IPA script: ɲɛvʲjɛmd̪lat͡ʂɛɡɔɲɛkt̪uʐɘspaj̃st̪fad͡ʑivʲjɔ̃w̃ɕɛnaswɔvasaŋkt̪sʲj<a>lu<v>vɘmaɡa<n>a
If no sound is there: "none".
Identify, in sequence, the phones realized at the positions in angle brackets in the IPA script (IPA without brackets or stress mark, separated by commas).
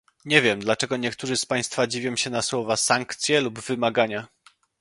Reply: ɛ, b, ɲ